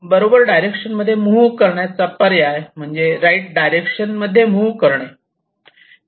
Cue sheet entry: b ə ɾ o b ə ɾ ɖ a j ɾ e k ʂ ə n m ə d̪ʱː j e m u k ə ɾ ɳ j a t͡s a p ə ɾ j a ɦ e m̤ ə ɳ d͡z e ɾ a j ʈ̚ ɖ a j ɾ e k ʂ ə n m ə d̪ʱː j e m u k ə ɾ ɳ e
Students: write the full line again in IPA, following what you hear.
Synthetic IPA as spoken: b ə ɾ o b ə ɾ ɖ a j ɾ e k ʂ ə n m ə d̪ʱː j e m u k ə ɾ ɳ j a t͡s a p ə ɾ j a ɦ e m̤ ə ɳ d͡z e ɾ a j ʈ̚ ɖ a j ɾ e k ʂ ə n m ə d̪ʱː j e m u k ə ɾ ɳ e